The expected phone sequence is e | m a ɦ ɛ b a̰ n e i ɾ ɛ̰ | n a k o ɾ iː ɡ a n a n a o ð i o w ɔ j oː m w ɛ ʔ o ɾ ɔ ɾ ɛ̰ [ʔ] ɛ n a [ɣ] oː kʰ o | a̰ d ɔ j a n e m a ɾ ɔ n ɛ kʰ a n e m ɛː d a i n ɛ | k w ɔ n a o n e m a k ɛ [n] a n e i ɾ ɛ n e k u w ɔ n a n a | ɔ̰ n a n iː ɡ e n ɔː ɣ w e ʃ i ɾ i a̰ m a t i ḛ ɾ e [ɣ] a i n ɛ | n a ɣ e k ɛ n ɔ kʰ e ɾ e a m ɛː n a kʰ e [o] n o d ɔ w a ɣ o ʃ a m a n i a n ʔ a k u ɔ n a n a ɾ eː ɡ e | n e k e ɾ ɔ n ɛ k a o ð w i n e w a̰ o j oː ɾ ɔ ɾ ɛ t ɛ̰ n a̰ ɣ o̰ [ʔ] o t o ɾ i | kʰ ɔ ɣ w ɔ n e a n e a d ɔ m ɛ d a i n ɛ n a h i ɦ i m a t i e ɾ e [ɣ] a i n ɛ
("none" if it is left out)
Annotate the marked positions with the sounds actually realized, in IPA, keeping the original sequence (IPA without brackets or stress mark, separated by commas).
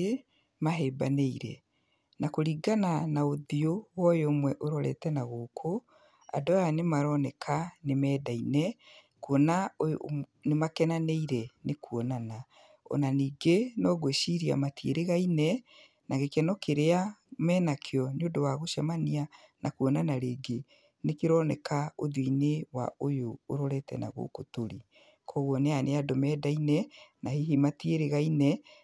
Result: t, ɣ, n, ɣ, ɔ, k, ɣ